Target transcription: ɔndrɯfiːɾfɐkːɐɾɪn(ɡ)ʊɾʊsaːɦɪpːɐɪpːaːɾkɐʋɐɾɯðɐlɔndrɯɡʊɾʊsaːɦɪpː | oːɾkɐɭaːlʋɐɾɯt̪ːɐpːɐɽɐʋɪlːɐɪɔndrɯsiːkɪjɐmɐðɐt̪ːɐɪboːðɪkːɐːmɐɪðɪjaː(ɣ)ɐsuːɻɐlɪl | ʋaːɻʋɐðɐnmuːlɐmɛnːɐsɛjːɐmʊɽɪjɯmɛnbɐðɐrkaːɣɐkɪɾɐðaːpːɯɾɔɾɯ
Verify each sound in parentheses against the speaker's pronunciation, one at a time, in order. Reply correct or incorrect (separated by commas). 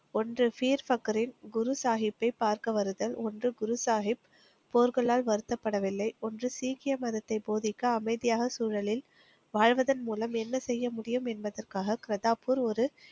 correct, correct